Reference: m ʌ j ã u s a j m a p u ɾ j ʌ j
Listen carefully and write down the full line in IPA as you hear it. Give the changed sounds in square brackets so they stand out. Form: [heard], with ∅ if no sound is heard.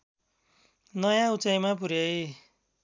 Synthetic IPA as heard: [n] ʌ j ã u [t͡s] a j m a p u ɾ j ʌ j